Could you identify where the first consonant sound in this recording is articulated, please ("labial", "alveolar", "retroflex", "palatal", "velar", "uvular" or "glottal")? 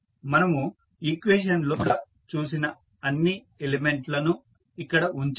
labial